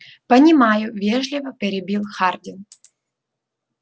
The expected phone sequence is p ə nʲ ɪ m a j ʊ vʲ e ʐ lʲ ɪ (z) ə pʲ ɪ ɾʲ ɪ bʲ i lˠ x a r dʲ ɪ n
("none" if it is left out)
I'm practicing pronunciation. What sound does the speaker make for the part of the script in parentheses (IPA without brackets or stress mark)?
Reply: v